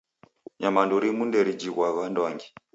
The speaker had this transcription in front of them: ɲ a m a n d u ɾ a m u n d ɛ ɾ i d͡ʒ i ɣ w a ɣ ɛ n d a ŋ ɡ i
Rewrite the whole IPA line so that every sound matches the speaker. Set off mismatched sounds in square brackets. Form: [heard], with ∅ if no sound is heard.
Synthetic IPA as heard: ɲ a m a n d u ɾ [i] m u n d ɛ ɾ i d͡ʒ i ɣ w a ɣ [a] n d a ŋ ɡ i